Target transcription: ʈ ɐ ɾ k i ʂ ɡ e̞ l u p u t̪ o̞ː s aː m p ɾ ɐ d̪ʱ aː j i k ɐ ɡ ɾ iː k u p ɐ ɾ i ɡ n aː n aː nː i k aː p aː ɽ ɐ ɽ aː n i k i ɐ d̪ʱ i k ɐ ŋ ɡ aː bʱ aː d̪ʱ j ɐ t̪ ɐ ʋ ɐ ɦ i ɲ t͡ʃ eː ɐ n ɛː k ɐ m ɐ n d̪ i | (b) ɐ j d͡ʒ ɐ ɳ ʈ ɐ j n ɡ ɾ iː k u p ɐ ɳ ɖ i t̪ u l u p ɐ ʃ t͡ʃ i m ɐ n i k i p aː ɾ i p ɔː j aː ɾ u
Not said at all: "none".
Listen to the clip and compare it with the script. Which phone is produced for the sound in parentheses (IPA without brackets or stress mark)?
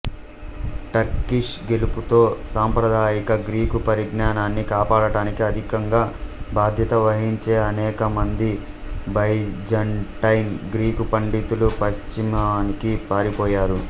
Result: b